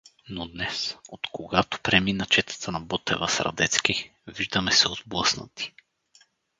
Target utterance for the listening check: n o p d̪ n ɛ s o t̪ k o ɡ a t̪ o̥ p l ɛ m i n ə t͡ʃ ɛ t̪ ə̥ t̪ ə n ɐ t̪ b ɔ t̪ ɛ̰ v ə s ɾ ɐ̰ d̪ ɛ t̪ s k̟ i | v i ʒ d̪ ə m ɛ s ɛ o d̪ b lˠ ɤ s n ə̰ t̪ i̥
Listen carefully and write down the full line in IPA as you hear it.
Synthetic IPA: n o d̪ n ɛ s o t̪ k o ɡ a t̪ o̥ p ɾ ɛ m i n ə t͡ʃ ɛ t̪ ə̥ t̪ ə n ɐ b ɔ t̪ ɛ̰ v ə s ɾ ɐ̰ d̪ ɛ t̪ s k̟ i | v i ʒ d̪ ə m ɛ s ɛ o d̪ b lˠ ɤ s n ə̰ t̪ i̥